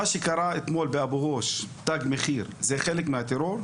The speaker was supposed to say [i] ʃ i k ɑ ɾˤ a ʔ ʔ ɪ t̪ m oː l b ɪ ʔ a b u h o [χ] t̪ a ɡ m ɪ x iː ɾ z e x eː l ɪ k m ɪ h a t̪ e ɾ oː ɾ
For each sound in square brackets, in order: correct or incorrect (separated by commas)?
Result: incorrect, incorrect